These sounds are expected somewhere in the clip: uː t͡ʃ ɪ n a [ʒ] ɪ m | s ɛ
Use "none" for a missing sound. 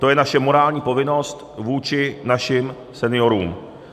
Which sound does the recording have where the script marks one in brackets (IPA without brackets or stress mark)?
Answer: ʃ